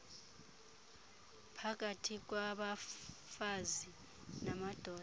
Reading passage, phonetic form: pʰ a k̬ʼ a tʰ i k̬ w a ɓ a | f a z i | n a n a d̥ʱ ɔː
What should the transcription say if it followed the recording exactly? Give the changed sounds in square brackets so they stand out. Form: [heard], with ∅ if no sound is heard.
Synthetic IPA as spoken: pʰ a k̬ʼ a tʰ i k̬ w a ɓ a | f a z i | n a [m] a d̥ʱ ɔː